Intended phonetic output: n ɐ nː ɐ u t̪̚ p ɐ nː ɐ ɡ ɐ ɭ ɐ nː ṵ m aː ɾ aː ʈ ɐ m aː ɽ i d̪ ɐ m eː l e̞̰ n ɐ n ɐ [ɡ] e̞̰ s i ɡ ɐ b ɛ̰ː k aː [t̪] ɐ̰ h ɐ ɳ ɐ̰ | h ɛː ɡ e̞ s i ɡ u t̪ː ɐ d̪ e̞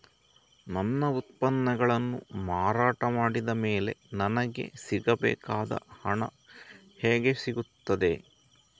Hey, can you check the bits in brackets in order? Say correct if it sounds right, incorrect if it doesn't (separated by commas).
correct, incorrect